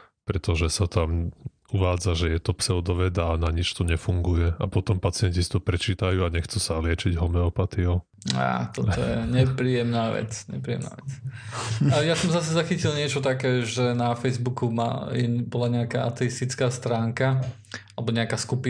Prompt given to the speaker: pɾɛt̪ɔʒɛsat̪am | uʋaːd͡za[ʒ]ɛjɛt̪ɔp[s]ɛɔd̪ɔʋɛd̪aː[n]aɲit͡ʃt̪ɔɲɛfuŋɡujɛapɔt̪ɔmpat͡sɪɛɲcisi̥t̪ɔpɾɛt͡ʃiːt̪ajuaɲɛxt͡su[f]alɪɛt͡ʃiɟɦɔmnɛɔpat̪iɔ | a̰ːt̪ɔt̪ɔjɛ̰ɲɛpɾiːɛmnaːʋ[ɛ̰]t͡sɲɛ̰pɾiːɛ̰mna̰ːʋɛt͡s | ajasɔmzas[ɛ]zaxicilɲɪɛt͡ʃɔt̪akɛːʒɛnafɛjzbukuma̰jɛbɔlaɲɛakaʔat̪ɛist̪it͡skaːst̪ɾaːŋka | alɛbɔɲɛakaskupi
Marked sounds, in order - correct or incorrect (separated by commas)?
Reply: correct, correct, correct, incorrect, correct, correct